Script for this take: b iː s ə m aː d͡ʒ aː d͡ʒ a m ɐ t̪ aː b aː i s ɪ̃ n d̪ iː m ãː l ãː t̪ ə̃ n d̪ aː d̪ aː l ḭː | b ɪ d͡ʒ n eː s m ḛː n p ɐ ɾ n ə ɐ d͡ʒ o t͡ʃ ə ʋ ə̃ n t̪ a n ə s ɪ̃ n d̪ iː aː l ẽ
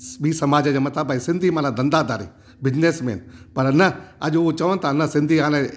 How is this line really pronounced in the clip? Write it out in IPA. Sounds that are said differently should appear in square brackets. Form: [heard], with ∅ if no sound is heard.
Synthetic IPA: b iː s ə m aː d͡ʒ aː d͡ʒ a m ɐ t̪ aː b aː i s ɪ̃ n d̪ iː m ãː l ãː [d̪] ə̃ n d̪ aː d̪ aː [ɾ] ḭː | b ɪ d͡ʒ n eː s m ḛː n p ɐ ɾ n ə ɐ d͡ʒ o t͡ʃ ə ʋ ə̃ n t̪ a n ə s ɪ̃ n d̪ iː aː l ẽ